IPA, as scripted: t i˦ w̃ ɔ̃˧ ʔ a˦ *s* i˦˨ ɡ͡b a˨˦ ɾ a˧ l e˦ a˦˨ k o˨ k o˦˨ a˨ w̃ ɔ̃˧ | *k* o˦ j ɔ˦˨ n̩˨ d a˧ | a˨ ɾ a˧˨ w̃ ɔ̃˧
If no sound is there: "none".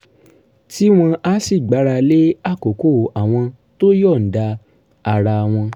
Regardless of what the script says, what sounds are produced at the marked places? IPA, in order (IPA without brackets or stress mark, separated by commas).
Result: s, t